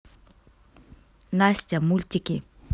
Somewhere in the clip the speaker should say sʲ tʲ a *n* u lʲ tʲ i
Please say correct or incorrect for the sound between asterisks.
incorrect